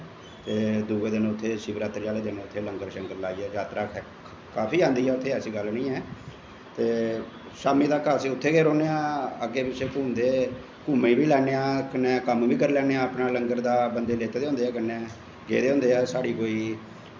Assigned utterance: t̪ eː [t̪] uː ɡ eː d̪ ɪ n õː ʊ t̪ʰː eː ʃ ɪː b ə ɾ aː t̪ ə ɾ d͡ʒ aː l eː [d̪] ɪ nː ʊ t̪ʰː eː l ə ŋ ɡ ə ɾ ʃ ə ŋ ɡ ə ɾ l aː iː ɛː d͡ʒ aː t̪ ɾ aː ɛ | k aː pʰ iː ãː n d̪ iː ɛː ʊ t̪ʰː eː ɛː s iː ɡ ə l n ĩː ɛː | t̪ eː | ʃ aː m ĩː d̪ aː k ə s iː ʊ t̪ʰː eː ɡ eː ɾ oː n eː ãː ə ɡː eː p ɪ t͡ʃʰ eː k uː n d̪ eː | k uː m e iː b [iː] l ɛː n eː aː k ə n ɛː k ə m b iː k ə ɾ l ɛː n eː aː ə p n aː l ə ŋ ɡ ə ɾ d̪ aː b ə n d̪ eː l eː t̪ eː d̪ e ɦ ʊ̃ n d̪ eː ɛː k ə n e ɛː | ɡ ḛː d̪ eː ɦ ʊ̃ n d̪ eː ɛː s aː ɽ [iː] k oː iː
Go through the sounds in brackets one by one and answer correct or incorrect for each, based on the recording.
incorrect, correct, correct, correct

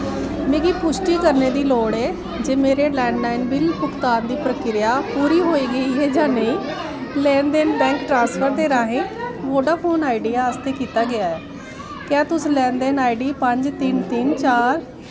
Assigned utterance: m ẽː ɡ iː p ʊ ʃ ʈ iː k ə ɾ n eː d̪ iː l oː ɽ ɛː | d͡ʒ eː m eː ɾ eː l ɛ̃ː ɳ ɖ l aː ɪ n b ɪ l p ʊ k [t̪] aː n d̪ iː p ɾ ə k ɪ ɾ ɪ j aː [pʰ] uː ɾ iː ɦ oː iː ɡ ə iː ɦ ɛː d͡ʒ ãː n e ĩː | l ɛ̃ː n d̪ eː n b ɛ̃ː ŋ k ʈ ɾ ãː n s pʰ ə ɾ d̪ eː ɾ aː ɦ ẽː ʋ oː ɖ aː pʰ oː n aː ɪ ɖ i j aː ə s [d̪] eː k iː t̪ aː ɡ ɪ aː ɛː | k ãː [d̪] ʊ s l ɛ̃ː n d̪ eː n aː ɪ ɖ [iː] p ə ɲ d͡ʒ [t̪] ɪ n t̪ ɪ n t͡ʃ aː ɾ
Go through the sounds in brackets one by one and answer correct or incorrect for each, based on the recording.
correct, incorrect, incorrect, incorrect, correct, correct

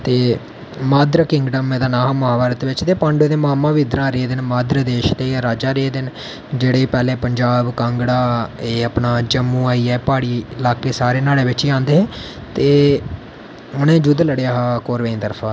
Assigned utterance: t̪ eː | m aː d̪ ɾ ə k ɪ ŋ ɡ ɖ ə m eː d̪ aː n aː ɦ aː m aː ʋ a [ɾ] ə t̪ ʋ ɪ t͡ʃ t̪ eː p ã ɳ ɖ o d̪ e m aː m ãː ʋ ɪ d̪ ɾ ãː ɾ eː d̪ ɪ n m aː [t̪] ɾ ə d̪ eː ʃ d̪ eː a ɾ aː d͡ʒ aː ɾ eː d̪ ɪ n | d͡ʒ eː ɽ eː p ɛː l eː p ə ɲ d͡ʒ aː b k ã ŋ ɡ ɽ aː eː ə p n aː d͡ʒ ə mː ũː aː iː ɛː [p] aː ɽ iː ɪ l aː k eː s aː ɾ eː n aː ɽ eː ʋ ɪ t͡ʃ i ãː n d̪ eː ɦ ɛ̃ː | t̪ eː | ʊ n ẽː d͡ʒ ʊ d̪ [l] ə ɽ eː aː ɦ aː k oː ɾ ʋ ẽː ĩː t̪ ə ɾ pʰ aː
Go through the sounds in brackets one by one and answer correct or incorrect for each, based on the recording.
correct, incorrect, correct, correct

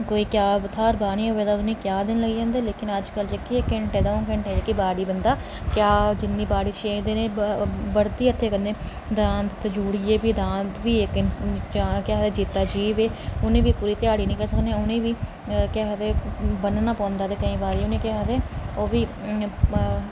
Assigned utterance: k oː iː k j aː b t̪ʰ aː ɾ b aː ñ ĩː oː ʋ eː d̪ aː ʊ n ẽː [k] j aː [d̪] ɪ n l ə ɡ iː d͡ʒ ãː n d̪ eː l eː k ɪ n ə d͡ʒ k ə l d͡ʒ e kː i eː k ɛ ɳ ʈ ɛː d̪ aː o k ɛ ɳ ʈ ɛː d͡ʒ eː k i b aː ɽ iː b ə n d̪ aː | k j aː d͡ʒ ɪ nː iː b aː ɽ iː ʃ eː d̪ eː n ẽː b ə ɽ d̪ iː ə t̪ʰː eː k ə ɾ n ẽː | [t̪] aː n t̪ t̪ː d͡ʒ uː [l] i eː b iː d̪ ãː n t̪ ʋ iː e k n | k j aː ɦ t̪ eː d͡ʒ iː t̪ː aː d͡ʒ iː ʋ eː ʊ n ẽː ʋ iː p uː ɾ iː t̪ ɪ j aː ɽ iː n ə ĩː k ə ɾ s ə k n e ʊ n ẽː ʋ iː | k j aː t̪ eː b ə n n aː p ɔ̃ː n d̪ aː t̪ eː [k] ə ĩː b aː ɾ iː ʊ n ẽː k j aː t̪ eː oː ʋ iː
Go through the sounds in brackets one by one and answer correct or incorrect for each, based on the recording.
correct, correct, incorrect, incorrect, correct

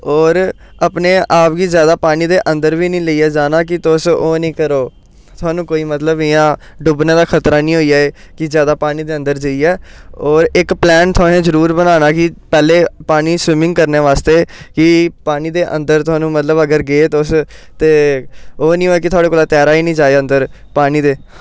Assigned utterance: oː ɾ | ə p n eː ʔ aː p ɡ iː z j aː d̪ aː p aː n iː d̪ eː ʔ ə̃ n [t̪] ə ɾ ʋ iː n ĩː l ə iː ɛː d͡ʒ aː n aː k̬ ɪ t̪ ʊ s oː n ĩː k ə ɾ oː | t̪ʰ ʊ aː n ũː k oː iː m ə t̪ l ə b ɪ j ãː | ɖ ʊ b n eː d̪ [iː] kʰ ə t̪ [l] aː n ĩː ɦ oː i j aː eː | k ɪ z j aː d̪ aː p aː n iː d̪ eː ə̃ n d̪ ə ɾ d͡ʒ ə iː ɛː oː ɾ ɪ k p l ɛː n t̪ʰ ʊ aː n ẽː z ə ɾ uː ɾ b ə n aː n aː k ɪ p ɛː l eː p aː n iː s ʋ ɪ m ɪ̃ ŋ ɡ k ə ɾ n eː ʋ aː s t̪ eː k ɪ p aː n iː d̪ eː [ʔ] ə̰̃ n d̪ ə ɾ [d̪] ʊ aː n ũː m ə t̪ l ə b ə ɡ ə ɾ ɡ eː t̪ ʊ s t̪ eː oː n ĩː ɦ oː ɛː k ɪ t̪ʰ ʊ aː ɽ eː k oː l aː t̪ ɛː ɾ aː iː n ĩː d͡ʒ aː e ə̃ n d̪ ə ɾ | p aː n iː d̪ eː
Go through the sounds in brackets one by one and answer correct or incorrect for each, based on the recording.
incorrect, incorrect, incorrect, correct, incorrect

